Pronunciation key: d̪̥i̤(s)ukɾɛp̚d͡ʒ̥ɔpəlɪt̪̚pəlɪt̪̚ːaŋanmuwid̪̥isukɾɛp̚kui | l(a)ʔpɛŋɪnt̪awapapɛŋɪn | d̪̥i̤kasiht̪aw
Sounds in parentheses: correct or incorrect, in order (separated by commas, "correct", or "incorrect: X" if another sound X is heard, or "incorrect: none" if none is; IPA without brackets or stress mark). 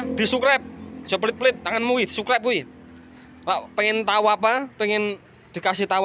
correct, correct